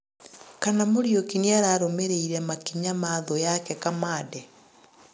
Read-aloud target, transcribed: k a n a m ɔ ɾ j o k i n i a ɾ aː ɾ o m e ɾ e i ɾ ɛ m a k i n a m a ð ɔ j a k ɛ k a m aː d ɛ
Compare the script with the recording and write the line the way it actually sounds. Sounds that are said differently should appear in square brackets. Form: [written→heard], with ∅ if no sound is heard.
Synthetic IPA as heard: k a n a m [ɔ→o] ɾ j o k i n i a ɾ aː ɾ o m e ɾ e i ɾ ɛ m a k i [n→ɲ] a m a ð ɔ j a k ɛ k a m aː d ɛ